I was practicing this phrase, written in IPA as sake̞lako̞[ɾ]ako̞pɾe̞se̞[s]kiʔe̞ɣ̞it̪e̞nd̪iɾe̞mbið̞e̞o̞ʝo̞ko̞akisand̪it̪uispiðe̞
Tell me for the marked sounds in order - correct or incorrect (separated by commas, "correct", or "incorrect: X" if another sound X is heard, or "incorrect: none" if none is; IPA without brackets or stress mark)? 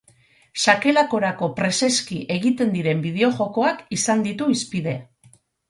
correct, correct